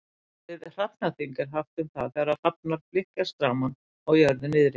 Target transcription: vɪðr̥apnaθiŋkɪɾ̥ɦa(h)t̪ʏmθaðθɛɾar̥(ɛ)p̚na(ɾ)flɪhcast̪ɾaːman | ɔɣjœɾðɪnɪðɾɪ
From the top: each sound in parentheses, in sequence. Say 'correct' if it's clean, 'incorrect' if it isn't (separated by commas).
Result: incorrect, incorrect, correct